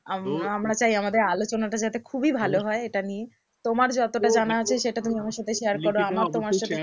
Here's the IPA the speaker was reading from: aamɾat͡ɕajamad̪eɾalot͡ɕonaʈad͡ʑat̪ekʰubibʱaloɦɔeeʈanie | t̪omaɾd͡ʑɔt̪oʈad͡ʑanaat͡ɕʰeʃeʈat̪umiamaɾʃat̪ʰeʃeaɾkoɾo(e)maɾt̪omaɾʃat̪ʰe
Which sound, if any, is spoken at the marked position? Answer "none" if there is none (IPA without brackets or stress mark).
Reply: a